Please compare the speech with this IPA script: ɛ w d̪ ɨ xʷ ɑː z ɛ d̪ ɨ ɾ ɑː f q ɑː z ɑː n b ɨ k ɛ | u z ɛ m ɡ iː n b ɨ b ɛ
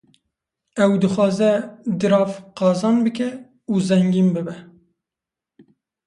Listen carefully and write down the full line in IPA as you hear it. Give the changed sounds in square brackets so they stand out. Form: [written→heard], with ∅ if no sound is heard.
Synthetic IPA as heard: ɛ w d̪ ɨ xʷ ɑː z ɛ d̪ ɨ ɾ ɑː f q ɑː z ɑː n b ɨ k ɛ | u z ɛ [m→ŋ] ɡ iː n b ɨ b ɛ

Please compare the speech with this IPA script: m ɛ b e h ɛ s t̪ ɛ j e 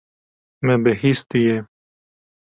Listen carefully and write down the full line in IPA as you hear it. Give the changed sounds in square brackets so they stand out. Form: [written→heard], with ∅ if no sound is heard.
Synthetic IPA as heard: m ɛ b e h [ɛ→i] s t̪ [ɛ→i] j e

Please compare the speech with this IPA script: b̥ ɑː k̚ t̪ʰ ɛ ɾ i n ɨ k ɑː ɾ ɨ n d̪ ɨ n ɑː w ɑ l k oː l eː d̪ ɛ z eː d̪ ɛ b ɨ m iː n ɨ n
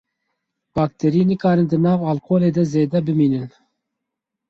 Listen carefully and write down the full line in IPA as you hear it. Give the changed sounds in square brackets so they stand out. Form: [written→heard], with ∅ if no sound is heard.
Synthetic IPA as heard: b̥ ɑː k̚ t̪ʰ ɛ ɾ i n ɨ k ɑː ɾ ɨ n d̪ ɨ n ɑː [w→v] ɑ l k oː l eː d̪ ɛ z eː d̪ ɛ b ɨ m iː n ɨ n

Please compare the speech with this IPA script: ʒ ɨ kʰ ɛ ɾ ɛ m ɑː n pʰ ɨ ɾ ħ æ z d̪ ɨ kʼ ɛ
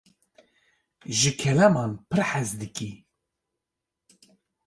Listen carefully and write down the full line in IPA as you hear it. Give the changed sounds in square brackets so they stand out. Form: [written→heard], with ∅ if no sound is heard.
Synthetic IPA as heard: ʒ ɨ kʰ ɛ [ɾ→l] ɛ m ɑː n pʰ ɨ ɾ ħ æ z d̪ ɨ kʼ [ɛ→i]

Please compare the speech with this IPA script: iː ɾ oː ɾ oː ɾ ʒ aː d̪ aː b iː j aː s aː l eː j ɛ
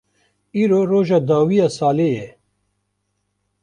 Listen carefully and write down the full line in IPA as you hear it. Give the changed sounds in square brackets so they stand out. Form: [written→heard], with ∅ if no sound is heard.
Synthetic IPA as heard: iː ɾ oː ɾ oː [ɾ→∅] ʒ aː d̪ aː [b→w] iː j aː s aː l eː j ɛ

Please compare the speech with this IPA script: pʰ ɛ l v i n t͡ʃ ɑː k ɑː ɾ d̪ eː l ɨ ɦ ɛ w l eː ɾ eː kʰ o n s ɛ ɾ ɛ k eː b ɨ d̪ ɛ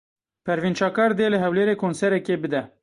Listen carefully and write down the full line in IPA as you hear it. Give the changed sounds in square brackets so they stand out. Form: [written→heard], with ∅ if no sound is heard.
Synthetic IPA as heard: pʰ ɛ [l→ɾ] v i n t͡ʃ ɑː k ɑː ɾ d̪ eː l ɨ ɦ ɛ w l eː ɾ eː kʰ o n s ɛ ɾ ɛ k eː b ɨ d̪ ɛ

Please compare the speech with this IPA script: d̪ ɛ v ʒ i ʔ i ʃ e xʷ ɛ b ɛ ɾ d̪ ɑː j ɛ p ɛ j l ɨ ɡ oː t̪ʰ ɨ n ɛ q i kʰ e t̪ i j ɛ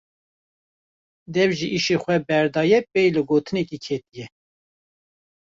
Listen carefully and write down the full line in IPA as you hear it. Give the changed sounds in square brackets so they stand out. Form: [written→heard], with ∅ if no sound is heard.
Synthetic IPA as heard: d̪ ɛ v ʒ i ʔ i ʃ e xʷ ɛ b ɛ ɾ d̪ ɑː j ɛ p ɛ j l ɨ ɡ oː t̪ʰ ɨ n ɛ [q→k] i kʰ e t̪ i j ɛ

